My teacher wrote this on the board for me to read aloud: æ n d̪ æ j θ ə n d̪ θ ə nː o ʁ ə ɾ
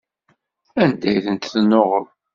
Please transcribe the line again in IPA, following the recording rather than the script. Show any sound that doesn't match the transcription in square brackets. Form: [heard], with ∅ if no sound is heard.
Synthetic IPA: æ n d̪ æ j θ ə n [t̪] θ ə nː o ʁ ə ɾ